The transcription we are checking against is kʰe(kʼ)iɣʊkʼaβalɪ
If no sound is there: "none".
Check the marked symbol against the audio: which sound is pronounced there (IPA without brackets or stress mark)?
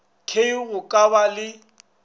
none